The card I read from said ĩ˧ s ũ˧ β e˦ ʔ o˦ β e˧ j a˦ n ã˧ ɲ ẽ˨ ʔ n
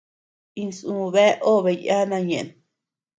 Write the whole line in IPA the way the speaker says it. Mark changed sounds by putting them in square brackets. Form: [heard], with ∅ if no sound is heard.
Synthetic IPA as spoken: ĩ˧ s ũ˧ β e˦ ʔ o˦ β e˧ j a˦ n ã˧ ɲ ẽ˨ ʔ n